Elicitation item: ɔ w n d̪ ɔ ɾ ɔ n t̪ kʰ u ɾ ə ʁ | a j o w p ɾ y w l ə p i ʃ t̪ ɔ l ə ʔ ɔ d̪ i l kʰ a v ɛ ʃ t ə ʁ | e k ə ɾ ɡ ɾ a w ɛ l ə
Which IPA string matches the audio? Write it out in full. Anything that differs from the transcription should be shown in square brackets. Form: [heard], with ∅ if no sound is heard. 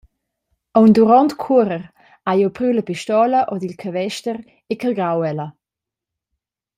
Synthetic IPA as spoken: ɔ w n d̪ [u] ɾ ɔ n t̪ kʰ u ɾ ə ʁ | a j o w p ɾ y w l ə p i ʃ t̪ ɔ l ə ʔ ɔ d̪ i l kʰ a v ɛ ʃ t ə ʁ | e k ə [l] ɡ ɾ a w ɛ l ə